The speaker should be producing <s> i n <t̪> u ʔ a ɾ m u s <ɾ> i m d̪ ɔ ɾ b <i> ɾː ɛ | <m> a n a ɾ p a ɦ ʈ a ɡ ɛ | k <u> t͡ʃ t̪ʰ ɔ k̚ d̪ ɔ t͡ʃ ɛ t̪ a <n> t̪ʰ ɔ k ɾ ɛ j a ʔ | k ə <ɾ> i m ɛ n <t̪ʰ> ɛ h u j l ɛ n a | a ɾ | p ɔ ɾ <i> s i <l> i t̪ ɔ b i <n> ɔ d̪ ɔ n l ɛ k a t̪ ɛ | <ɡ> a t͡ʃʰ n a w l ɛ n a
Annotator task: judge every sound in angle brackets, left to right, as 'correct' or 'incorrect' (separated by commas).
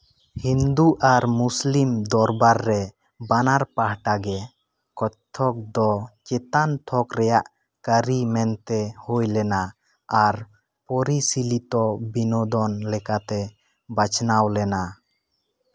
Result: incorrect, incorrect, incorrect, incorrect, incorrect, incorrect, correct, correct, incorrect, correct, correct, correct, incorrect